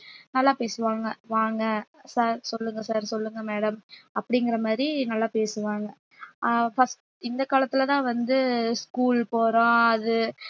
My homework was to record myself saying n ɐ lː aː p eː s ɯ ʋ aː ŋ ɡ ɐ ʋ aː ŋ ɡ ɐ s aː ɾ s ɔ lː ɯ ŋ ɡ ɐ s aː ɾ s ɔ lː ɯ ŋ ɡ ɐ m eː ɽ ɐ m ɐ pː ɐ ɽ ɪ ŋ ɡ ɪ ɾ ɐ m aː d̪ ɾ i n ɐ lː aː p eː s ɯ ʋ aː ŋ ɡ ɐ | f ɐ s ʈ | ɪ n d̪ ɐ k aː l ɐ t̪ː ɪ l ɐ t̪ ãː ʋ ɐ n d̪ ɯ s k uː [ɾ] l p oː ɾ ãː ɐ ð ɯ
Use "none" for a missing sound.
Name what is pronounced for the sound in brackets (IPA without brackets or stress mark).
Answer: none